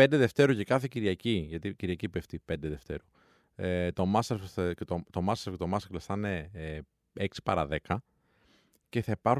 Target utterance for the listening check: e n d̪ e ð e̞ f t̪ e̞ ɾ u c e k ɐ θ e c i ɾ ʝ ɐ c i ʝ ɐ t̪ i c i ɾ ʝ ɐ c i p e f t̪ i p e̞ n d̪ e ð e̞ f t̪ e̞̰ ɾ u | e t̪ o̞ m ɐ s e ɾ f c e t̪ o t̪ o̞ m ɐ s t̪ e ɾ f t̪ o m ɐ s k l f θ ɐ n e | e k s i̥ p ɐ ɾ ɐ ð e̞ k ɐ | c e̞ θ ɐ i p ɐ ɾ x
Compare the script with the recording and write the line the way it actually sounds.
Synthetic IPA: e n d̪ e ð e̞ f t̪ e̞ ɾ u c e k ɐ θ e c i ɾ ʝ ɐ c i ʝ ɐ t̪ i c i ɾ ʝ ɐ c i p e f t̪ i p e̞ n d̪ e ð e̞ f t̪ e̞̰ ɾ u | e t̪ o̞ m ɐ s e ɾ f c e t̪ o t̪ o̞ m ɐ s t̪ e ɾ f t̪ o m ɐ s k l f θ ɐ n e | e k s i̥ p ɐ ɾ ɐ ð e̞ k ɐ | c e̞ θ ɐ i p ɐ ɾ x